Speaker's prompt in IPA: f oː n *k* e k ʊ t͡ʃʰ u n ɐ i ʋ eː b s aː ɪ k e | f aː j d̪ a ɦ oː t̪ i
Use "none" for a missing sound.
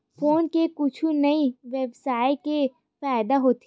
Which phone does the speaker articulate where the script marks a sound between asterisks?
k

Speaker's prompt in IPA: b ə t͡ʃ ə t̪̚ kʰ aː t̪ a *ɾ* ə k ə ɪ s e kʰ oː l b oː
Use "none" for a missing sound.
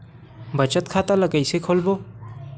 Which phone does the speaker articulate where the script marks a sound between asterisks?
l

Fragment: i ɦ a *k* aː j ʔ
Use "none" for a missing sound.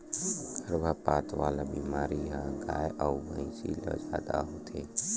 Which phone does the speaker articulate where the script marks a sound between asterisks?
ɡ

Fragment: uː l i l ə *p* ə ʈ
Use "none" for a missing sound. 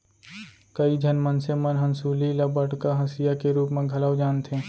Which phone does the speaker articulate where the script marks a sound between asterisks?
b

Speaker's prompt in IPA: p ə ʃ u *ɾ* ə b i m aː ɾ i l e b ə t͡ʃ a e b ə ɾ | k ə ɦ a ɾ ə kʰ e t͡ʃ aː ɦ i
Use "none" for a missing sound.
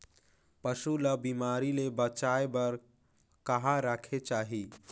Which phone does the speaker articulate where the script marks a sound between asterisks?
l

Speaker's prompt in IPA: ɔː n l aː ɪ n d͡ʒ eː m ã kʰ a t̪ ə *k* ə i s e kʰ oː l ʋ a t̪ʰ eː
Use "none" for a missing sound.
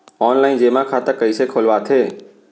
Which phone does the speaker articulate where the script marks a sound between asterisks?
k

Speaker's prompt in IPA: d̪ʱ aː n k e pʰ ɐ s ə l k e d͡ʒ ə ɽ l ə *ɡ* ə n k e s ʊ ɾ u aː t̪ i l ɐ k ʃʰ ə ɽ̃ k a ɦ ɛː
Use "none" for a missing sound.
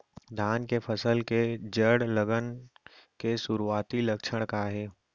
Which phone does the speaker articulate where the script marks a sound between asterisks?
ɡ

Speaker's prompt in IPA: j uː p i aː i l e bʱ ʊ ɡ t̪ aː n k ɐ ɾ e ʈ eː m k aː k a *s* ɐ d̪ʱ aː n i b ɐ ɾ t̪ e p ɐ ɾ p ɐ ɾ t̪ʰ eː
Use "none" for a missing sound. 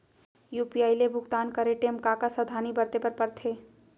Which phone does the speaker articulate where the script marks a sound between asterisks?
s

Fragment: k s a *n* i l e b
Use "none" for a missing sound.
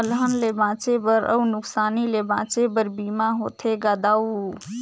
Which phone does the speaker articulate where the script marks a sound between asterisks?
n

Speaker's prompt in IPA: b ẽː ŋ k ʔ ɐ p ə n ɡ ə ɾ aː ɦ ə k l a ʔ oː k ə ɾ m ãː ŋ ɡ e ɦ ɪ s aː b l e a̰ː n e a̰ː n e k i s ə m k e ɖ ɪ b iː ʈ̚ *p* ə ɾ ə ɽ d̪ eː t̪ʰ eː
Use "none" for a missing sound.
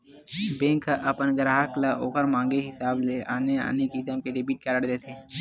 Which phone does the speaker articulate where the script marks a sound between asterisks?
k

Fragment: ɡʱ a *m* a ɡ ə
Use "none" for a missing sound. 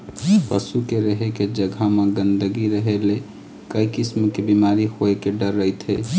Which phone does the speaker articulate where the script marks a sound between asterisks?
m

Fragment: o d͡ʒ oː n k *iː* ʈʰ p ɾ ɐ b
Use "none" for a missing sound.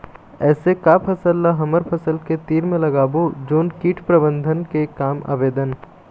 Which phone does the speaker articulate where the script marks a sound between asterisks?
iː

